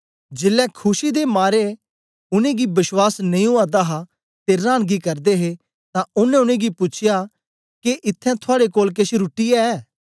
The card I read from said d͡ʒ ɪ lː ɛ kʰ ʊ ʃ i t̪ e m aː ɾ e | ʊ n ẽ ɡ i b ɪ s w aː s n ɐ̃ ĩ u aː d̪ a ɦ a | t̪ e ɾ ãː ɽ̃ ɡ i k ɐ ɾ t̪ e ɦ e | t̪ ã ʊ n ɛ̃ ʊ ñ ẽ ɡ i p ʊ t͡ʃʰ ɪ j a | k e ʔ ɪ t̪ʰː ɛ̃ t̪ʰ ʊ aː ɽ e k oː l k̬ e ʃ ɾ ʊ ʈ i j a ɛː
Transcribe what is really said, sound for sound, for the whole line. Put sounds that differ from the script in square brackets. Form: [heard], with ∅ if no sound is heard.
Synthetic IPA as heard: d͡ʒ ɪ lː ɛ kʰ ʊ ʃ i [d̪] e m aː ɾ e | ʊ n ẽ ɡ i b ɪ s w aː s n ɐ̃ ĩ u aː d̪ a ɦ a | t̪ e ɾ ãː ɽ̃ ɡ i k ɐ ɾ [d̪] e ɦ e | t̪ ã ʊ n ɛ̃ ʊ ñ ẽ ɡ i p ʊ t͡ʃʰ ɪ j a | k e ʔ ɪ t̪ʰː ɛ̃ t̪ʰ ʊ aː ɽ e k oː l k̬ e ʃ ɾ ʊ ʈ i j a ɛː